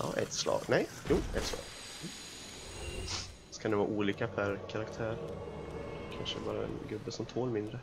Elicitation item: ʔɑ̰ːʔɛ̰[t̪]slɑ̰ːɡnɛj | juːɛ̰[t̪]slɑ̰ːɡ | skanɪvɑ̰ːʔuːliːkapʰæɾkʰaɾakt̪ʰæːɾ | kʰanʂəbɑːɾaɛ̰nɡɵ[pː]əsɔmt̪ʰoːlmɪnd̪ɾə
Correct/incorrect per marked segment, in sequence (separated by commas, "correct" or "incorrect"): correct, correct, incorrect